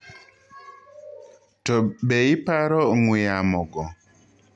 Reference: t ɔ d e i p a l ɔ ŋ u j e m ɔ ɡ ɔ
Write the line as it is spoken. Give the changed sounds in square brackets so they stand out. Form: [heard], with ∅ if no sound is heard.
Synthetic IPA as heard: t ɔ [b] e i p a [ɾ] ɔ ŋ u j [a] m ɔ ɡ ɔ